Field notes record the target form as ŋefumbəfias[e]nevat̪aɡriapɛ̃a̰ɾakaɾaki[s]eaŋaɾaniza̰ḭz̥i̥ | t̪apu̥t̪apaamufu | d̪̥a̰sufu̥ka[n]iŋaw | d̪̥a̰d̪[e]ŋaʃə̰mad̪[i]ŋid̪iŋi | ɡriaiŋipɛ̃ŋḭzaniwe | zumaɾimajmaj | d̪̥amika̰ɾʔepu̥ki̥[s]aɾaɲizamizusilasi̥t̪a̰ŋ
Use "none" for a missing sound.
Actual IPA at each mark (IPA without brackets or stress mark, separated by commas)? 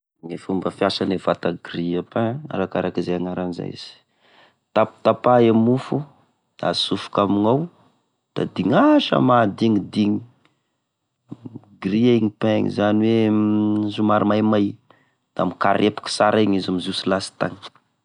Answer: a, z, m, i, i, s